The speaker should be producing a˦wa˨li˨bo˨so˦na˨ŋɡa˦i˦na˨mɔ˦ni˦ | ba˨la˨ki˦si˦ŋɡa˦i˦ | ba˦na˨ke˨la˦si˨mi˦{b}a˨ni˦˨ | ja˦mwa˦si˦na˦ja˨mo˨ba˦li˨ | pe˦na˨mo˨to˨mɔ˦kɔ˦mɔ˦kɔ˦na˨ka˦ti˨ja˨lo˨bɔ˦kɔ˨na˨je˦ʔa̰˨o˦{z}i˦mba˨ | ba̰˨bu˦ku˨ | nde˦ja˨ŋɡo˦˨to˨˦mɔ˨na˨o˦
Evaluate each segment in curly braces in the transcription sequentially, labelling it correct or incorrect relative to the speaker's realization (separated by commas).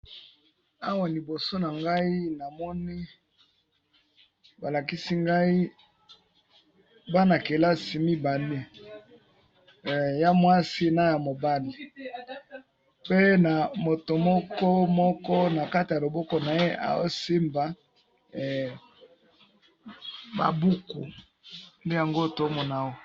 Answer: correct, incorrect